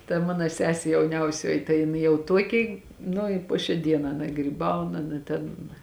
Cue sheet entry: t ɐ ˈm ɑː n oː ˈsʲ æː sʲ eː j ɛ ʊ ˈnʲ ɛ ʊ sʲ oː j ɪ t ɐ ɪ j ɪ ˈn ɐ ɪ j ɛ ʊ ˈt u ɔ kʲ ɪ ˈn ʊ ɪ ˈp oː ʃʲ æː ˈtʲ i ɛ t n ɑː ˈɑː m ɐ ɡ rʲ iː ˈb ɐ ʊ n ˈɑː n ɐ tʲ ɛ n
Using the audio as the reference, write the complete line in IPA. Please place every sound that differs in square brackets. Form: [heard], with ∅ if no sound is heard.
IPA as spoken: t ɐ ˈm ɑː n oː ˈsʲ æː sʲ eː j ɛ ʊ ˈnʲ ɛ ʊ sʲ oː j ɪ t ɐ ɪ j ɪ ˈn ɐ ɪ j ɛ ʊ ˈt u ɔ kʲ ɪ ˈn ʊ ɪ ˈp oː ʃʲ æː [ˈdʲ] i ɛ [∅] n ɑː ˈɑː [n] ɐ ɡ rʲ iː ˈb ɐ ʊ n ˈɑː n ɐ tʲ ɛ n